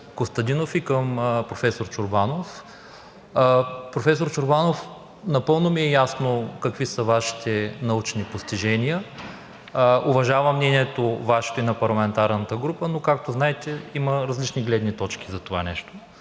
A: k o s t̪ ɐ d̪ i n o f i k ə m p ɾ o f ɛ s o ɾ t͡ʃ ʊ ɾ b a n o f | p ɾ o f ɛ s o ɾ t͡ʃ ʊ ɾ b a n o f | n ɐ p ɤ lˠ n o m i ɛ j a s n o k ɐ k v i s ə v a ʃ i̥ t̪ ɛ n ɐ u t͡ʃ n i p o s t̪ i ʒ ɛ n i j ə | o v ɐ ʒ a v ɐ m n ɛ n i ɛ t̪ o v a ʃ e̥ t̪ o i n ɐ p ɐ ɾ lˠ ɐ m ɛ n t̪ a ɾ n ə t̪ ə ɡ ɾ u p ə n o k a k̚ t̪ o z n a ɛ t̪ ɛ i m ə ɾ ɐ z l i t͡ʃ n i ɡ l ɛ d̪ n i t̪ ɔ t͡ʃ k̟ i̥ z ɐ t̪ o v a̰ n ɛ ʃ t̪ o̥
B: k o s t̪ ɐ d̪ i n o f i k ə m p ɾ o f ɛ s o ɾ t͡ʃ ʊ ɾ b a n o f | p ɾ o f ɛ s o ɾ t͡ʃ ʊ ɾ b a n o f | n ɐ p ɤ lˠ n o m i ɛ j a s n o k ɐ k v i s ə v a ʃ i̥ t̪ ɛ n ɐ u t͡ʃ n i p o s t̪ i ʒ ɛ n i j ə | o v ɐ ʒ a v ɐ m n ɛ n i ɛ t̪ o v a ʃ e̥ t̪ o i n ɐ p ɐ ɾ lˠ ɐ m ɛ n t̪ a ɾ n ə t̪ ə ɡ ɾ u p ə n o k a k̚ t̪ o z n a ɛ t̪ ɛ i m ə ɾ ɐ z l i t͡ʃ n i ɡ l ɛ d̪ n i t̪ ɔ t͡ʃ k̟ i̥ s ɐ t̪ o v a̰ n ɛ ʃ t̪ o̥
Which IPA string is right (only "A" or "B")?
A